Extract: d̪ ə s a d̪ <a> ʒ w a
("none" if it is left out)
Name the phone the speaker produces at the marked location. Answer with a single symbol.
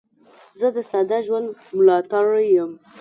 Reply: a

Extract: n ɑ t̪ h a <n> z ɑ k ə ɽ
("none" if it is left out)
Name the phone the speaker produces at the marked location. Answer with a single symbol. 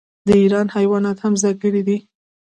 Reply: m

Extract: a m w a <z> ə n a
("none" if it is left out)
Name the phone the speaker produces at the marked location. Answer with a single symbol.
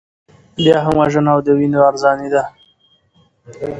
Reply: ʒ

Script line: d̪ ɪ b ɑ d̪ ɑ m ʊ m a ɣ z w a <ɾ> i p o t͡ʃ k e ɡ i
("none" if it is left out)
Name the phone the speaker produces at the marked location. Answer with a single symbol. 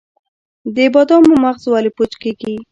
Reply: l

